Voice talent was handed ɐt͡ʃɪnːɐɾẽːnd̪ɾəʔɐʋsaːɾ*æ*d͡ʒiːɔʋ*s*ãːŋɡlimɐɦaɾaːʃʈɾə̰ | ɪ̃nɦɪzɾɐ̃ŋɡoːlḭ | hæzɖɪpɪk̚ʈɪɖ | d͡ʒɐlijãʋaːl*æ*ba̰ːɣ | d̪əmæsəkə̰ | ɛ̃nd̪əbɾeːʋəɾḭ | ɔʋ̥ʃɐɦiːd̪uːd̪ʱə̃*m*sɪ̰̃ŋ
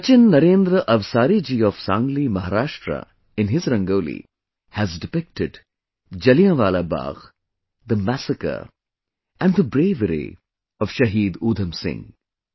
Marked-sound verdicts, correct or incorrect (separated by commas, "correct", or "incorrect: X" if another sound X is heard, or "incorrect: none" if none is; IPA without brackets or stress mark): incorrect: i, correct, incorrect: a, correct